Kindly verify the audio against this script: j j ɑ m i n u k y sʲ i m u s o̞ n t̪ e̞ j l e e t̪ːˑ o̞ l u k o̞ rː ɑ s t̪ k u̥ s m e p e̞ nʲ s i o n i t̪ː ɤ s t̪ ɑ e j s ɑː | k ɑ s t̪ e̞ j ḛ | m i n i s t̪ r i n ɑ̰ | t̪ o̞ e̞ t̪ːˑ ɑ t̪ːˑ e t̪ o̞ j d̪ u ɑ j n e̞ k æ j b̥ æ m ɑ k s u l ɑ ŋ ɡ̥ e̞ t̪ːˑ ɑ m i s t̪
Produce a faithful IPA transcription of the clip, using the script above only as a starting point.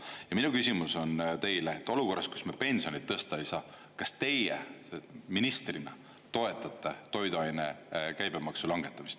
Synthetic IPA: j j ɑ m i n u k y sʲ i m u s o̞ n t̪ e̞ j l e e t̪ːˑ o̞ l u k o̞ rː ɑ s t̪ k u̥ s m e p e̞ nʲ s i o n i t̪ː ɤ s t̪ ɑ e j s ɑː | k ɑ s t̪ e̞ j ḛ | m i n i s t̪ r i n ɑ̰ | t̪ o̞ e̞ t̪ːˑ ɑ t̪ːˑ e t̪ o̞ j d̪ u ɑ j n e̞ k æ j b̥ e m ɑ k s u l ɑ ŋ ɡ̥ e̞ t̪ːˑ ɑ m i s t̪